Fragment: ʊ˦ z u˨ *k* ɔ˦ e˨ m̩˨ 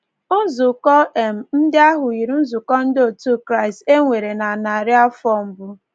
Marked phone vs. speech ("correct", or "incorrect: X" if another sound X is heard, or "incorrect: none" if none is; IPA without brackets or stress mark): correct